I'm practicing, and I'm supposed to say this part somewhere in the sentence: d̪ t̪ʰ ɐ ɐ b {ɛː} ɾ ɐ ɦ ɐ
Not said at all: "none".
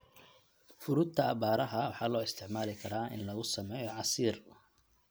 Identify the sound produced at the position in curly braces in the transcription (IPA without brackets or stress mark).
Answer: aː